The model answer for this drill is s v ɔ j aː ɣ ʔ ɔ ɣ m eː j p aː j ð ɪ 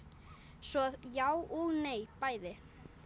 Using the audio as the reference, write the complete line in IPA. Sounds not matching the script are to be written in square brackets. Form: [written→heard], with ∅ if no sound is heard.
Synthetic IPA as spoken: s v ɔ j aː [ɣ→w] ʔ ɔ ɣ [m→n] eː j p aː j ð ɪ